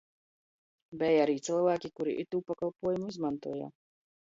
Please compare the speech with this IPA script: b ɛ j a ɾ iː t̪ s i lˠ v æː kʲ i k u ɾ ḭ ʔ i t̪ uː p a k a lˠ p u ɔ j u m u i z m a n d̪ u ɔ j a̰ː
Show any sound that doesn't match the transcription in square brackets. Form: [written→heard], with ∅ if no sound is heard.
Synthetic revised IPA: b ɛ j a ɾ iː t̪ s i lˠ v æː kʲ i k u ɾ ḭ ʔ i t̪ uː p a k a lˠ p u ɔ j u m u i z m a n [d̪→t̪] u ɔ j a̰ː